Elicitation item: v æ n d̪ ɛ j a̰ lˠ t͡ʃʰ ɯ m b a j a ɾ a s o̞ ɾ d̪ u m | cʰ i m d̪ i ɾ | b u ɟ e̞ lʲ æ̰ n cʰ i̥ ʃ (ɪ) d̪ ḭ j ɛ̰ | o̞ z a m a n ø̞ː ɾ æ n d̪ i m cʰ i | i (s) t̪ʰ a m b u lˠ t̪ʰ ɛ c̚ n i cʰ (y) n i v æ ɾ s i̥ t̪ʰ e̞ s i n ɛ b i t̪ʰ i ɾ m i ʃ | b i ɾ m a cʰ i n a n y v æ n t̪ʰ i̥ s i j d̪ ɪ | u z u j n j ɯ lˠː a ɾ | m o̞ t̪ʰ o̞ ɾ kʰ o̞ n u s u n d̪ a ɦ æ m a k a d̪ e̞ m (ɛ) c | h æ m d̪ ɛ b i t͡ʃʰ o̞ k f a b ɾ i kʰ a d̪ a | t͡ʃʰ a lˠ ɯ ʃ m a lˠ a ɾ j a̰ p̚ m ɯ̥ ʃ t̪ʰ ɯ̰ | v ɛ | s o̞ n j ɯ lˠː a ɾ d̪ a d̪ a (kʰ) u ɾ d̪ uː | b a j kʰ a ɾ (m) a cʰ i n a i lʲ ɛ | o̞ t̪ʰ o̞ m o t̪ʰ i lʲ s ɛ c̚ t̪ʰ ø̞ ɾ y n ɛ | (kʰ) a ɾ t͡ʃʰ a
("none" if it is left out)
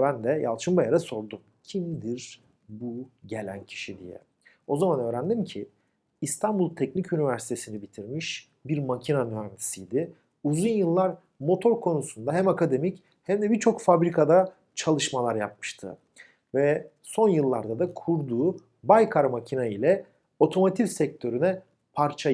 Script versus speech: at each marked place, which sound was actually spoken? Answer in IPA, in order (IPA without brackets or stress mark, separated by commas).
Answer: i, s, y, i, kʰ, m, pʰ